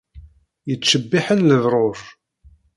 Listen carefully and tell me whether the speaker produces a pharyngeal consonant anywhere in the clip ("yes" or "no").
yes